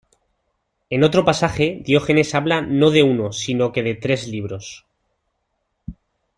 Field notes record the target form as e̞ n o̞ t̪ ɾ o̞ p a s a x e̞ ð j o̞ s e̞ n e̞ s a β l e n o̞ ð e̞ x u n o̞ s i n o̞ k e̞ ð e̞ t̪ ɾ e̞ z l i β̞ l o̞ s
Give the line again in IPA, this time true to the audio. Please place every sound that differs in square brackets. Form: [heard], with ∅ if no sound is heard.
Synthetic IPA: e̞ n o̞ t̪ ɾ o̞ p a s a x e̞ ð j o̞ [x] e̞ n e̞ s a β l [a] n o̞ ð e̞ [∅] u n o̞ s i n o̞ k e̞ ð e̞ t̪ ɾ e̞ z l i β̞ [ɾ] o̞ s